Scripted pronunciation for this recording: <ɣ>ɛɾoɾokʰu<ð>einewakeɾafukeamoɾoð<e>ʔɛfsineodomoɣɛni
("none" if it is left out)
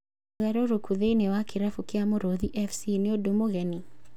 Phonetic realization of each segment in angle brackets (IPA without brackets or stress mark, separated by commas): ɣ, ð, i